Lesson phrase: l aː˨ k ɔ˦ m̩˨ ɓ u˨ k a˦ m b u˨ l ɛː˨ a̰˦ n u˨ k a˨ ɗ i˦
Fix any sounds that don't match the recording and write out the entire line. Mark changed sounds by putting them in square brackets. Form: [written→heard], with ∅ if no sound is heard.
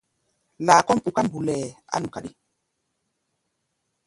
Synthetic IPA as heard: l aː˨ k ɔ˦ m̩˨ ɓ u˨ k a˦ m b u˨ l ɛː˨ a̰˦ n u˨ k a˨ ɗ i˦